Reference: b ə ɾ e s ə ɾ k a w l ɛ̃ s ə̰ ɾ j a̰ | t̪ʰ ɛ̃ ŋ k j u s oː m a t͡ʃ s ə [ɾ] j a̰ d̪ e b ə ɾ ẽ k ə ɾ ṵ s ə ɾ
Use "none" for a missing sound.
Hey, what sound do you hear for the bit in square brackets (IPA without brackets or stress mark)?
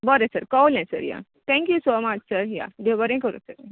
ɾ